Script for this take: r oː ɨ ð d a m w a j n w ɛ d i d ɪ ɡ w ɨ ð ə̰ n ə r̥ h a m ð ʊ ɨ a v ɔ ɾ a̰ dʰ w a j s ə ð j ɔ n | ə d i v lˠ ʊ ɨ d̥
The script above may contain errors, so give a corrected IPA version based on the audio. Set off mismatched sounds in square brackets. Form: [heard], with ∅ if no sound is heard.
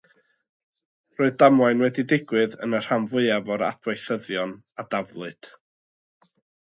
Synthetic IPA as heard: r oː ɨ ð d a m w a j n w ɛ d i d ɪ ɡ w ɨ ð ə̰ n ə r̥ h a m [v] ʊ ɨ a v ɔ ɾ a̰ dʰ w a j [θ] ə ð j ɔ n | [a] d [a] v lˠ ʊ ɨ d̥